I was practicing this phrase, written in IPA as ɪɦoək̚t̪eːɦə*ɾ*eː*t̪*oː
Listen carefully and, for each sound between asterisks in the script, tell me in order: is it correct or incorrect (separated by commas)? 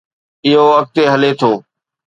incorrect, incorrect